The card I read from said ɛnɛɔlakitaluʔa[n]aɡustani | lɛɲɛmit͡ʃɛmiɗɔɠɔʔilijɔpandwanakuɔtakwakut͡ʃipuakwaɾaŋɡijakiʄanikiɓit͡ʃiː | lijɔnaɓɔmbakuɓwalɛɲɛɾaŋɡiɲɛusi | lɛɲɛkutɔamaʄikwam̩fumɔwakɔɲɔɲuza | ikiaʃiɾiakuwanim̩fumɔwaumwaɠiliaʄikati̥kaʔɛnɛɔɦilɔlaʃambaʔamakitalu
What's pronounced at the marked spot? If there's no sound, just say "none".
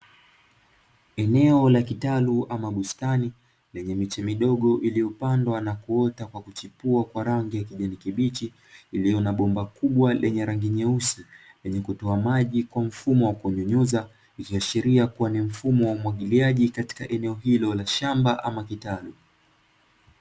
m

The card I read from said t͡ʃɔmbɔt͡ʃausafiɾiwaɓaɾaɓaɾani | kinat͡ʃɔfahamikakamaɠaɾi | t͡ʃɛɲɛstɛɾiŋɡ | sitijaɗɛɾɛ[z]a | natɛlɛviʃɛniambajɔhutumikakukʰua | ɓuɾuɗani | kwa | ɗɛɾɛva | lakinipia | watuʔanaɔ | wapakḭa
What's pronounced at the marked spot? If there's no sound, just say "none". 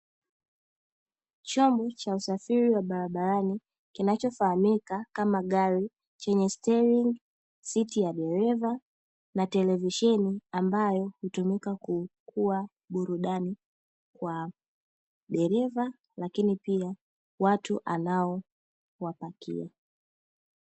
v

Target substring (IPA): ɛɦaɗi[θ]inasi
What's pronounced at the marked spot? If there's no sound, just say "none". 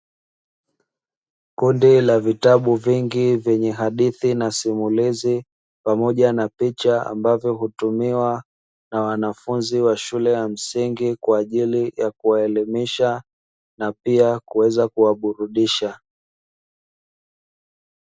θ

